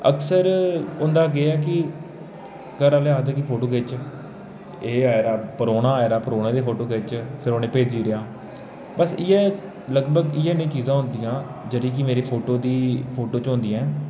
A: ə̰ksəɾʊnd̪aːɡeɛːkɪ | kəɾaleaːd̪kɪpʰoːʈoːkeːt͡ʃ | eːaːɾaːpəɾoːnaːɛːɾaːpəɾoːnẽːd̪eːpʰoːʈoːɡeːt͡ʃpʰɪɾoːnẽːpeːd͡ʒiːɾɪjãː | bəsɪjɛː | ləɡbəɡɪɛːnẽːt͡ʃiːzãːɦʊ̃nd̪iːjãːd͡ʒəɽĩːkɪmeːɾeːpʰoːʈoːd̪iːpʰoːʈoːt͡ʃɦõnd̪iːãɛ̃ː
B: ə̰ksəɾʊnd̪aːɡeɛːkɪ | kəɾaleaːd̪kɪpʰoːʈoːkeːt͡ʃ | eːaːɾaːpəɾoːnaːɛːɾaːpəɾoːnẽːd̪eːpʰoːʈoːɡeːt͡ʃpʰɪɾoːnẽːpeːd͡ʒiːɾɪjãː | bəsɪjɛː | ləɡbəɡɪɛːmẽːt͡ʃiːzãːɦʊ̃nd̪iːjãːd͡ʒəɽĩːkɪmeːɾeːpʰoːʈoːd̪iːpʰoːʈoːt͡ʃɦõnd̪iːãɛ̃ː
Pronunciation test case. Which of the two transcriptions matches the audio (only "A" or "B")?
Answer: A